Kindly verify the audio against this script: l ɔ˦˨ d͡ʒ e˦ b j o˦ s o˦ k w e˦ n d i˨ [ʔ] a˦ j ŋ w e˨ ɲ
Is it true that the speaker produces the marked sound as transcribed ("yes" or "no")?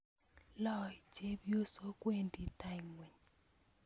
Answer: no